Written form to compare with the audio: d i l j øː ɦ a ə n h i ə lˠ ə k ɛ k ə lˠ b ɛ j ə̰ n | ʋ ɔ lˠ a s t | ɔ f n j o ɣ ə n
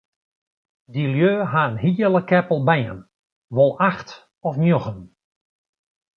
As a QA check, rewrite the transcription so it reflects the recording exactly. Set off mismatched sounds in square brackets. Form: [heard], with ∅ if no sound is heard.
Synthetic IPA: d i l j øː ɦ a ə n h i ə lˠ ə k ɛ [p] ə lˠ b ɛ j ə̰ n | ʋ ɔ lˠ a [x] t | ɔ f n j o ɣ ə n